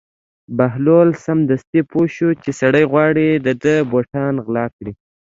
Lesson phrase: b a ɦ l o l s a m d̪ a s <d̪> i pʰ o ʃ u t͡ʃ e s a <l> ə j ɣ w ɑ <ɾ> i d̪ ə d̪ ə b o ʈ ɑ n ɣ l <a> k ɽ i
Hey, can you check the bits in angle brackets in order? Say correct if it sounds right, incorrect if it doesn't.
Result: incorrect: t̪, incorrect: ɽ, incorrect: ɽ, incorrect: ɑ

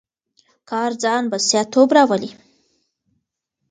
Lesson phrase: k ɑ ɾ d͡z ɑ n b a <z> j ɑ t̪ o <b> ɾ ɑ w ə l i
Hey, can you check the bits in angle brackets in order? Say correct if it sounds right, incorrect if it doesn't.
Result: incorrect: s, correct

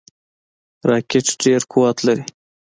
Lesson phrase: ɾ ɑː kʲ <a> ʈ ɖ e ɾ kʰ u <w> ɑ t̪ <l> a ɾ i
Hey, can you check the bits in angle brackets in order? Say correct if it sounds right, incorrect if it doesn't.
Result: incorrect: e, correct, correct

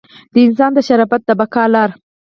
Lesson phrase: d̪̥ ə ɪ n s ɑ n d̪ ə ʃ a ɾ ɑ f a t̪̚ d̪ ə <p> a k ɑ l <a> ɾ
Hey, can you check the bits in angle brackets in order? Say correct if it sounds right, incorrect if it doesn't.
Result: incorrect: b, incorrect: ɑ

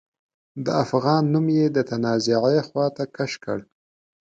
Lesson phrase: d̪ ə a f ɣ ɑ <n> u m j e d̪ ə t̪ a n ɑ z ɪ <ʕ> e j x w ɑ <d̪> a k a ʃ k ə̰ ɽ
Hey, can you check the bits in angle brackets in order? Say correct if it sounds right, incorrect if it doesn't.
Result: incorrect: nː, correct, incorrect: t̪

